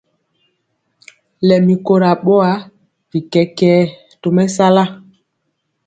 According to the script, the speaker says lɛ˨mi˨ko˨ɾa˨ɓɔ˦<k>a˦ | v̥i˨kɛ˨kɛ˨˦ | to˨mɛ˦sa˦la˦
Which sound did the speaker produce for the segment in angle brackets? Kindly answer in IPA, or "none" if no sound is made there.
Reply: none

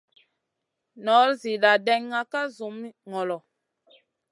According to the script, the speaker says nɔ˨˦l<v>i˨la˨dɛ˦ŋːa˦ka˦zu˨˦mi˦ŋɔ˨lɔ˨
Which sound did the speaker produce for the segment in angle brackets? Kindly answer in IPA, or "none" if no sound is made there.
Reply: z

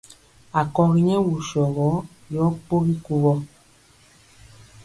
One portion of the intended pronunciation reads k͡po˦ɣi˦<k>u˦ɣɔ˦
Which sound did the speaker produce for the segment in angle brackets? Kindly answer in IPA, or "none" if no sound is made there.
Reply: k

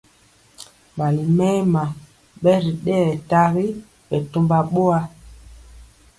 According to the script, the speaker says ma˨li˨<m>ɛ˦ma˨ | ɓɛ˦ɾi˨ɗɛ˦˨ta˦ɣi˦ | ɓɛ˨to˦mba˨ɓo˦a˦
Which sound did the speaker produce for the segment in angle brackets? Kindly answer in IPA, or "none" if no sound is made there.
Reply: m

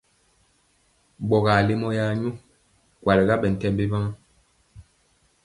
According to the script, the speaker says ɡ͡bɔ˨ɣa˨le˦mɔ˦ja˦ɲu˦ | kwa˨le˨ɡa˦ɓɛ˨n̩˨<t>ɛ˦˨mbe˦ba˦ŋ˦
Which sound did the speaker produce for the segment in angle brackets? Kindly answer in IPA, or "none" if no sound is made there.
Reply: t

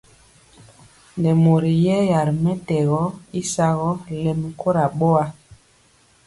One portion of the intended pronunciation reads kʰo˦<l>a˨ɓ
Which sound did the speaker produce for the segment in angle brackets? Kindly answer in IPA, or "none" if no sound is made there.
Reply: ɾ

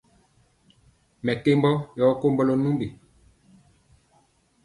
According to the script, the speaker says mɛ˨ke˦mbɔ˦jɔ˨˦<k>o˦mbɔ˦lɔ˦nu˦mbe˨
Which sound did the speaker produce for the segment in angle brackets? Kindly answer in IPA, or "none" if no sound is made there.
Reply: k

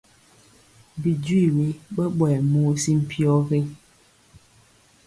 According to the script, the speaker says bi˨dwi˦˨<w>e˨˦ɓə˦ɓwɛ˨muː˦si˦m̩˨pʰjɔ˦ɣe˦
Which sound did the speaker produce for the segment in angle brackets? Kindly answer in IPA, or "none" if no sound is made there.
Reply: w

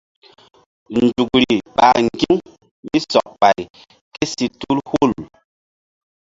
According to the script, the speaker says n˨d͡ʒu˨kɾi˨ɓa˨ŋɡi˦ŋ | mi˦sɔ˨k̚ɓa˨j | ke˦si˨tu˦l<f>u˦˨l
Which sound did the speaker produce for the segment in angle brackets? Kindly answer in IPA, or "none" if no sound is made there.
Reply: h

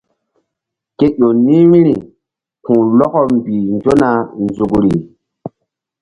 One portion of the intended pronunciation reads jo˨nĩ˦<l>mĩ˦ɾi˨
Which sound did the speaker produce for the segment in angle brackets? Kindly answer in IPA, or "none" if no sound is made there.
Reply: none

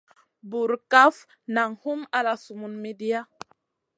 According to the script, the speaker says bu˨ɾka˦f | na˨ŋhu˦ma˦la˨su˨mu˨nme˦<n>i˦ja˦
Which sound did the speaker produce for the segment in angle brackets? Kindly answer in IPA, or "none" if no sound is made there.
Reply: d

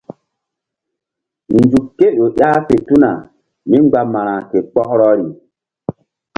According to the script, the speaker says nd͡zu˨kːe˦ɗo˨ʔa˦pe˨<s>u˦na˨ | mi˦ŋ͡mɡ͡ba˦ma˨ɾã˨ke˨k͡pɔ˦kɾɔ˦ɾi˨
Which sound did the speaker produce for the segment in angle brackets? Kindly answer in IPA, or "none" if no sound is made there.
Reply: t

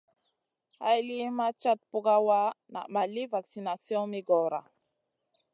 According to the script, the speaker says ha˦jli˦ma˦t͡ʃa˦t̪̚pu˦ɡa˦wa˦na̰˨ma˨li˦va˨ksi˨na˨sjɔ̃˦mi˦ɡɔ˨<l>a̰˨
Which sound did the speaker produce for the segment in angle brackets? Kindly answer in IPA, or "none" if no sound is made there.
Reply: ɾ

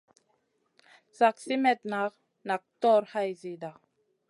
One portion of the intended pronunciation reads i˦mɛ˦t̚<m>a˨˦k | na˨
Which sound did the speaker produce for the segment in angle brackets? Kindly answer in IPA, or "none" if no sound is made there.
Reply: n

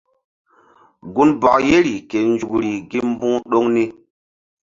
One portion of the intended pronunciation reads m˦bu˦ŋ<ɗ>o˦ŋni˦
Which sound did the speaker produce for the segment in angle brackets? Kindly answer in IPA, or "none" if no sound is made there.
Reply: ɗ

